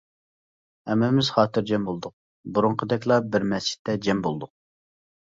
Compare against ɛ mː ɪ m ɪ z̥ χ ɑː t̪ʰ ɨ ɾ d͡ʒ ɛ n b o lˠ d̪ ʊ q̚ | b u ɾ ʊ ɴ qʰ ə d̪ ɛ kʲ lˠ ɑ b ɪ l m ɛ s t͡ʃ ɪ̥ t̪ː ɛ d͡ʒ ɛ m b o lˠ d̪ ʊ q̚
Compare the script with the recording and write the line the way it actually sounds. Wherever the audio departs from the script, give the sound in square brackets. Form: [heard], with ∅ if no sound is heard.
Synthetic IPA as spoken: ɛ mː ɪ m ɪ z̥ χ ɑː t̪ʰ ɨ ɾ d͡ʒ ɛ [m] b o lˠ d̪ ʊ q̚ | b u ɾ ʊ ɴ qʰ ə d̪ ɛ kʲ lˠ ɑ b ɪ [ɾ] m ɛ s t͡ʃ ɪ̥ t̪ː ɛ d͡ʒ ɛ m b o lˠ d̪ ʊ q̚